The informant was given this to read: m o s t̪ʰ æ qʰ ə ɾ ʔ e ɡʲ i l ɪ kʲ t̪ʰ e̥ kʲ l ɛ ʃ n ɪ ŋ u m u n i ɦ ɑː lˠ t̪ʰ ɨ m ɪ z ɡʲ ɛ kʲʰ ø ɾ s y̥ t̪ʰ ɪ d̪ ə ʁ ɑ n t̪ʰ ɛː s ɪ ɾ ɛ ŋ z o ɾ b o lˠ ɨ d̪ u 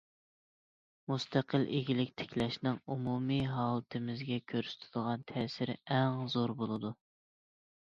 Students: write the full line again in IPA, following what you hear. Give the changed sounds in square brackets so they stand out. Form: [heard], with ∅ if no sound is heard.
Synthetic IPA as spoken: m [u] s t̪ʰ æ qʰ ə [l] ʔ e ɡʲ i l ɪ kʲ t̪ʰ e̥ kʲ l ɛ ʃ n ɪ ŋ u m u [m] i ɦ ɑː lˠ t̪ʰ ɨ m ɪ z ɡʲ ɛ kʲʰ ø ɾ s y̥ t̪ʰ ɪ d̪ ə ʁ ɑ n t̪ʰ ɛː s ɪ ɾ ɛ ŋ z o ɾ b o lˠ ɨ d̪ u